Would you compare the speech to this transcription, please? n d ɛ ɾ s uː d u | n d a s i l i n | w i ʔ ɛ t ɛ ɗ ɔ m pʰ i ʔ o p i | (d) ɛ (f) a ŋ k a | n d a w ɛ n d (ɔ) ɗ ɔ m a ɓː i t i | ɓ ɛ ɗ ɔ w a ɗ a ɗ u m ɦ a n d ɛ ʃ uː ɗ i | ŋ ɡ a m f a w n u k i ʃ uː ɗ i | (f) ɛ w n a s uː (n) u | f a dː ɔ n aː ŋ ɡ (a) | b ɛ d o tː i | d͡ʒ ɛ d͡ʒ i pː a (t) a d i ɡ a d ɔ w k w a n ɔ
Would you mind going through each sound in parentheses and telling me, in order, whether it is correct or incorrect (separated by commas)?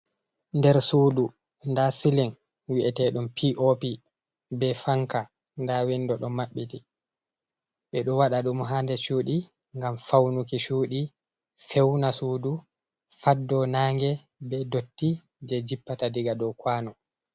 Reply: incorrect, correct, correct, correct, incorrect, incorrect, correct